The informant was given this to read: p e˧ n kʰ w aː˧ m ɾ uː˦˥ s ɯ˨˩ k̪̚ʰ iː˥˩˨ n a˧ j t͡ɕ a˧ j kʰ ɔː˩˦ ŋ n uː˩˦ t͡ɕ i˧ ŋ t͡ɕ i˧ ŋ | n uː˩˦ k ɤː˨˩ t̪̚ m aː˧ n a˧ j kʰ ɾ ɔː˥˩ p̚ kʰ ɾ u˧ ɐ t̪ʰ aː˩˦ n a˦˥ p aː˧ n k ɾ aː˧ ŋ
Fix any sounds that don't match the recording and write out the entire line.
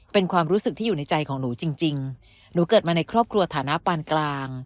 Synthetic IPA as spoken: p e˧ n kʰ w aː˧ m ɾ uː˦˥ s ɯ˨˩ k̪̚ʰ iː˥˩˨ n a˧ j t͡ɕ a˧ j kʰ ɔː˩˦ ŋ n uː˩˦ t͡ɕ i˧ ŋ t͡ɕ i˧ ŋ | n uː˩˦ k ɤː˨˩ t̪̚ m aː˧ n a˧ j kʰ ɾ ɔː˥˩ p̚ kʰ ɾ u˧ ɐ t̪ʰ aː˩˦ n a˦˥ p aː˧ n k l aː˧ ŋ